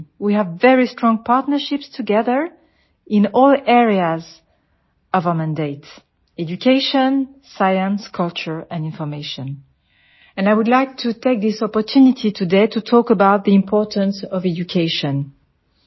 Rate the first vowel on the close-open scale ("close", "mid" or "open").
close